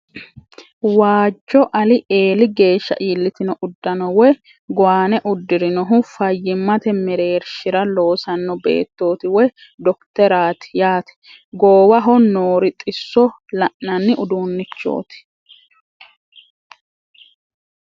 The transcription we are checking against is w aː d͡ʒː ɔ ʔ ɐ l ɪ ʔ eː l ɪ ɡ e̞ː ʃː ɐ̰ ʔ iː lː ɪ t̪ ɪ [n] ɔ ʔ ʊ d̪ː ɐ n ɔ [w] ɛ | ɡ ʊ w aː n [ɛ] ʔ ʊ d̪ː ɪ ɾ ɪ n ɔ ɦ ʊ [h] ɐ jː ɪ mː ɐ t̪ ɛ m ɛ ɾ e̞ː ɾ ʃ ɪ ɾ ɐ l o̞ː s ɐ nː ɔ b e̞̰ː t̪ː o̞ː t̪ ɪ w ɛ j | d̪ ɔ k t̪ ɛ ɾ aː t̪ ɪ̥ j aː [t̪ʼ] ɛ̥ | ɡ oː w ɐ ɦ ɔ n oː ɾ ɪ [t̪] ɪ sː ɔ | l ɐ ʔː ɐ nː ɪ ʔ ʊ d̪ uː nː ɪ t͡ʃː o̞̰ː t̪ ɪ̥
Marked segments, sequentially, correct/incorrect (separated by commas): correct, correct, correct, incorrect, incorrect, incorrect